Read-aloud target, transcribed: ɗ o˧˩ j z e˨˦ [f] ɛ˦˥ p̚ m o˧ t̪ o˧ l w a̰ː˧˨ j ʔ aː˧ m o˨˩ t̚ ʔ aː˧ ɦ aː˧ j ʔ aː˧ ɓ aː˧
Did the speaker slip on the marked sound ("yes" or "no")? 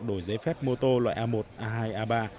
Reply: no